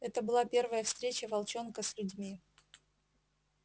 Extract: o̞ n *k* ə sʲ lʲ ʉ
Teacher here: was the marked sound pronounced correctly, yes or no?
yes